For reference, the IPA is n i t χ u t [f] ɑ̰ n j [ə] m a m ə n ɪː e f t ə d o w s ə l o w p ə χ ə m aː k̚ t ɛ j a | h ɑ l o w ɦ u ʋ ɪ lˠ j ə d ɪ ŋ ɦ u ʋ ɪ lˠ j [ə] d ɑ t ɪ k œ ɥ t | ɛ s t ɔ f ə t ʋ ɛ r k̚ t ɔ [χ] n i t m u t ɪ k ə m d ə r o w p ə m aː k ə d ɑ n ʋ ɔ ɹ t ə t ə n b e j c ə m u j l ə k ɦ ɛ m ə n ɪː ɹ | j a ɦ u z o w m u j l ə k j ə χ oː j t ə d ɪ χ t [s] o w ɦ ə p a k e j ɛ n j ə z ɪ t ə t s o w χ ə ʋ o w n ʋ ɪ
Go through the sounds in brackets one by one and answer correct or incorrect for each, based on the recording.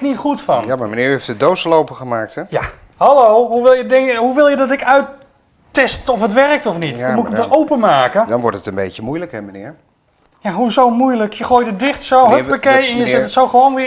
correct, incorrect: a, correct, incorrect: f, correct

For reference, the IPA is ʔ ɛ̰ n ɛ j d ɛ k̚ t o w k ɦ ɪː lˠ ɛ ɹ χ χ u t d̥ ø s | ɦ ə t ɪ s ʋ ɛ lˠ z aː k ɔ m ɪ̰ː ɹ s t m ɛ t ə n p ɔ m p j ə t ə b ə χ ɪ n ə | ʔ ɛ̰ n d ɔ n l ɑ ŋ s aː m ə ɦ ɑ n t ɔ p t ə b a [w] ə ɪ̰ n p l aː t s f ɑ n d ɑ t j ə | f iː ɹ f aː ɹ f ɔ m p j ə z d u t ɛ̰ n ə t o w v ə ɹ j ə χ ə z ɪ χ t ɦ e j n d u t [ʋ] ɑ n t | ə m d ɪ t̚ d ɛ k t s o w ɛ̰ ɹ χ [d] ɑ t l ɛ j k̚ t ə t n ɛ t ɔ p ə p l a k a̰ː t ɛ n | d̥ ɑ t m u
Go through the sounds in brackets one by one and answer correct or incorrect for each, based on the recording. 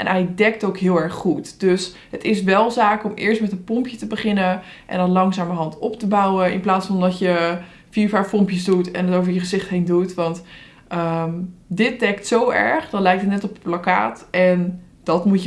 correct, correct, correct

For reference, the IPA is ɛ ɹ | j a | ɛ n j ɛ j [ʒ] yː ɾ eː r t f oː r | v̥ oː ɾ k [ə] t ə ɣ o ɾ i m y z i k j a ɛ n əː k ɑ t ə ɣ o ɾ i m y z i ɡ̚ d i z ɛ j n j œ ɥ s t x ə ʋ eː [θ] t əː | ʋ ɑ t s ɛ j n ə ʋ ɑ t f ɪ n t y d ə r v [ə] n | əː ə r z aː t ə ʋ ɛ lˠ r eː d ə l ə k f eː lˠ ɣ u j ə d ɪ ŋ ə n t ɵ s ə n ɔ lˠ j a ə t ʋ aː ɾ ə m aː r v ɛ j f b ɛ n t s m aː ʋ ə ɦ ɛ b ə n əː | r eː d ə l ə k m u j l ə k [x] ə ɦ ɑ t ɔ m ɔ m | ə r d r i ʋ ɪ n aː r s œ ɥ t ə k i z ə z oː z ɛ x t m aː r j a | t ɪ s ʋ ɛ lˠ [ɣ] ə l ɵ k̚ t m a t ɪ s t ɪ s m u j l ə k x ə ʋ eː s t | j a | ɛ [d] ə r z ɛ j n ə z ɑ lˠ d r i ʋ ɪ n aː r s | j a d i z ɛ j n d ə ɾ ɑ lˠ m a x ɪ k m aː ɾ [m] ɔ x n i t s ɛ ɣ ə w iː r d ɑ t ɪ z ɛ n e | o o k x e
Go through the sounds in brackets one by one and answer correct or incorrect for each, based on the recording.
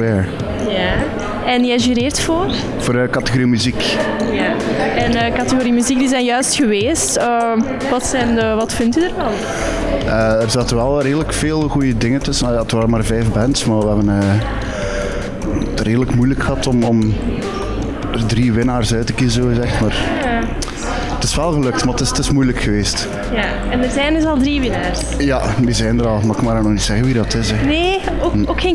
correct, incorrect: ɑ, incorrect: s, incorrect: ɑ, correct, correct, incorrect: n, incorrect: n

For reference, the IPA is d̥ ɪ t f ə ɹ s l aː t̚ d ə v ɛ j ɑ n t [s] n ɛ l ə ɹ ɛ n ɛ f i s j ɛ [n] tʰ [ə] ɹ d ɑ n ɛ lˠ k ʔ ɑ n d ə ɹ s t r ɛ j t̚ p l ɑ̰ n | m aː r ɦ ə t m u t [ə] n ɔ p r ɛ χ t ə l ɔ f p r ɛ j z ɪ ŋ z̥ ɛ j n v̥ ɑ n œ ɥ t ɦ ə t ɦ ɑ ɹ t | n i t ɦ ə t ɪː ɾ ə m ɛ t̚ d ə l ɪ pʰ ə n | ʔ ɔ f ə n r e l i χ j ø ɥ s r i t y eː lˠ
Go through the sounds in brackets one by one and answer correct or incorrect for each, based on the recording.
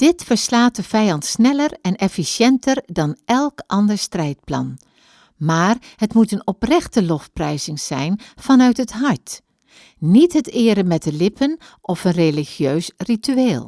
correct, correct, correct, correct

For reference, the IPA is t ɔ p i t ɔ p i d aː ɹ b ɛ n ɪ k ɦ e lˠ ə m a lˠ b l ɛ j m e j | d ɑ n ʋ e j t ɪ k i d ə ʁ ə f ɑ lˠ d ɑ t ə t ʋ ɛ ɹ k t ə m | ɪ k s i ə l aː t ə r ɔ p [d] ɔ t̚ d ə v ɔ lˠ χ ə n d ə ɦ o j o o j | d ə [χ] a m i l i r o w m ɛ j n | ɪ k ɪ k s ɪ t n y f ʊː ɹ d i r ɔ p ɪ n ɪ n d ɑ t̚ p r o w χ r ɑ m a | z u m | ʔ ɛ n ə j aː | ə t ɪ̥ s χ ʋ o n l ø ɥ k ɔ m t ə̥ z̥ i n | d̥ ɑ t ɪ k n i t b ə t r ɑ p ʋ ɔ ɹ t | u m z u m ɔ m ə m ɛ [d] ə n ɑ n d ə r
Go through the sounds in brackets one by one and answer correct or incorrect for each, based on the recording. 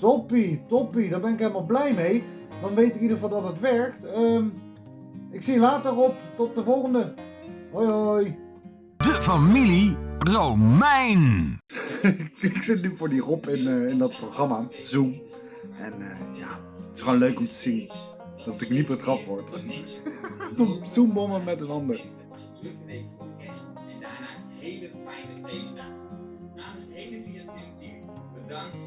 incorrect: t, incorrect: f, incorrect: t

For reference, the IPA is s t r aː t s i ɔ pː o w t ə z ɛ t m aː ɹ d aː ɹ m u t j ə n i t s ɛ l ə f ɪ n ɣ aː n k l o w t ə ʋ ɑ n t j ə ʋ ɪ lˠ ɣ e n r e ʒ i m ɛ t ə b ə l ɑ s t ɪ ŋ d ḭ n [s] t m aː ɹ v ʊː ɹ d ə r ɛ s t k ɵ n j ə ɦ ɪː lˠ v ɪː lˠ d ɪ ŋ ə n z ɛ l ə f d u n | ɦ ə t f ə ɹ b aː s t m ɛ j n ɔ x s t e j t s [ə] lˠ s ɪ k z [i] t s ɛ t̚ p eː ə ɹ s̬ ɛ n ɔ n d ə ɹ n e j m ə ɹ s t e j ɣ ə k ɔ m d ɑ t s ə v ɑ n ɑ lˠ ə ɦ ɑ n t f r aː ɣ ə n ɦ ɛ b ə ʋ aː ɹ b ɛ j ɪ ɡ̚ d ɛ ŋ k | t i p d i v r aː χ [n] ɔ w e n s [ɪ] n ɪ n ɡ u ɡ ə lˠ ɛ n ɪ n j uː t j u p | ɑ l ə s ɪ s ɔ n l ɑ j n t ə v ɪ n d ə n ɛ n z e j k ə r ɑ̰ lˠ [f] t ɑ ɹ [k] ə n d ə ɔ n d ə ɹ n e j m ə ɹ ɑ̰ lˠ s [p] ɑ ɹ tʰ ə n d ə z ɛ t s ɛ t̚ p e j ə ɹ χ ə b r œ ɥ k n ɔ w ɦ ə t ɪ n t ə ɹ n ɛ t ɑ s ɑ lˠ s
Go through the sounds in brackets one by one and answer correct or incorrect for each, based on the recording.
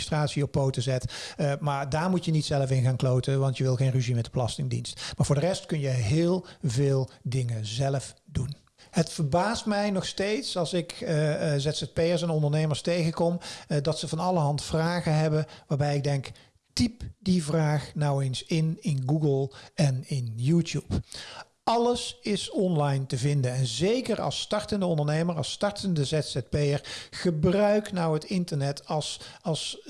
correct, incorrect: ɑ, incorrect: ɛ, correct, correct, incorrect: s, incorrect: t, incorrect: t

